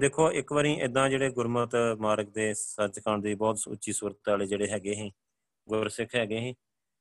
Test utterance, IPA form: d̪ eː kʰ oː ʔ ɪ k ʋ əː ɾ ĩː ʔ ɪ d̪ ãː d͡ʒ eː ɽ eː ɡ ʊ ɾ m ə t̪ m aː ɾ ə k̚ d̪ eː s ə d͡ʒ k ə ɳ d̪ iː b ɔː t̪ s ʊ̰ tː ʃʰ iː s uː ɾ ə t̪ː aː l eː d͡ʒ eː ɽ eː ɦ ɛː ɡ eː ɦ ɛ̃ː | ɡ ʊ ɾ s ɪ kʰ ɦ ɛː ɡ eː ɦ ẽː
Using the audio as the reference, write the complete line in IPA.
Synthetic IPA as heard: d̪ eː kʰ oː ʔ ɪ k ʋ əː ɾ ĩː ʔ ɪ d̪ ãː d͡ʒ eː ɽ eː ɡ ʊ ɾ m ə t̪ m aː ɾ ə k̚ d̪ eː s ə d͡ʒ k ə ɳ d̪ iː b ɔː t̪ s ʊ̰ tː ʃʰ iː s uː ɾ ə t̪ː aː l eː d͡ʒ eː ɽ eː ɦ ɛː ɡ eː ɦ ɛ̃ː | ɡ ʊ ɾ s ɪ kʰ ɦ ɛː ɡ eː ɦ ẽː